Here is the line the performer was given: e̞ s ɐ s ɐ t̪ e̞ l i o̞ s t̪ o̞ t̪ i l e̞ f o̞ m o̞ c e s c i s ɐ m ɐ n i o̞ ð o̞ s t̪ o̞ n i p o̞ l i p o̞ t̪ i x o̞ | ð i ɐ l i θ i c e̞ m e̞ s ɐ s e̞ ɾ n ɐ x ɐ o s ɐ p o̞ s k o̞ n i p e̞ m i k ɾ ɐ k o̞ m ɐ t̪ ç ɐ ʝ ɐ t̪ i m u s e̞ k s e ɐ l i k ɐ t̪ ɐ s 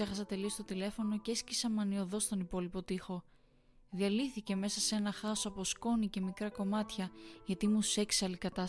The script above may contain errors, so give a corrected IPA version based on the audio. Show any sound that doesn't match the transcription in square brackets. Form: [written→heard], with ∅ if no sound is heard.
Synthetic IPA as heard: e̞ [s→x] ɐ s ɐ t̪ e̞ l i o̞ s t̪ o̞ t̪ i l e̞ f o̞ [m→n] o̞ c e s c i s ɐ m ɐ n i o̞ ð o̞ s t̪ o̞ n i p o̞ l i p o̞ t̪ i x o̞ | ð i ɐ l i θ i c e̞ m e̞ s ɐ s e̞ [ɾ→∅] n ɐ x ɐ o s ɐ p o̞ s k o̞ n i [p→c] e̞ m i k ɾ ɐ k o̞ m ɐ t̪ ç ɐ ʝ ɐ t̪ i m u s e̞ k s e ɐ l i k ɐ t̪ ɐ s